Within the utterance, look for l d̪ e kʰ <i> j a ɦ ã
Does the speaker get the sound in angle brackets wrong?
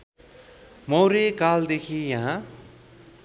no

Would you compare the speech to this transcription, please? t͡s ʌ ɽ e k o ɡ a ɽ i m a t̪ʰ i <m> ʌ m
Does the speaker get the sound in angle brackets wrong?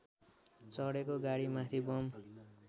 yes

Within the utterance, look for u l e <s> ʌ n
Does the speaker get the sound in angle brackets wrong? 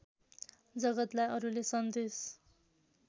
no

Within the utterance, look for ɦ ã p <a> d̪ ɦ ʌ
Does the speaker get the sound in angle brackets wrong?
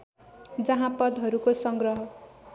yes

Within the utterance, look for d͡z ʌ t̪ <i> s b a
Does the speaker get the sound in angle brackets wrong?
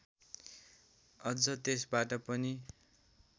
yes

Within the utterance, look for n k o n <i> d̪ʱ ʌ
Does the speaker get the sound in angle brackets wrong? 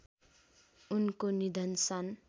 no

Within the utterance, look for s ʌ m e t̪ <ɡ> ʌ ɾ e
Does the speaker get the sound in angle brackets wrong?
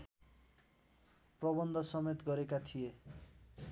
no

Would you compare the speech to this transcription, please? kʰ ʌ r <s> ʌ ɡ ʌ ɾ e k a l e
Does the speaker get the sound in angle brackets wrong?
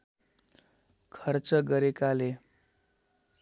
yes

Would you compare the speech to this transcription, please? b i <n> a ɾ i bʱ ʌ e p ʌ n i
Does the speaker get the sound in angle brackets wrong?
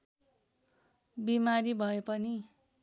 yes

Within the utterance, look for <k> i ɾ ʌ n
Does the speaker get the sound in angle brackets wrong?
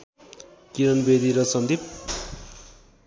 no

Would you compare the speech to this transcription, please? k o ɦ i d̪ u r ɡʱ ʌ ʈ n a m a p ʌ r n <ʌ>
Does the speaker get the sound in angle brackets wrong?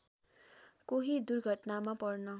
no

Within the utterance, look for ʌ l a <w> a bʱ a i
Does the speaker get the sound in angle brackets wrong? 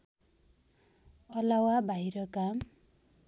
no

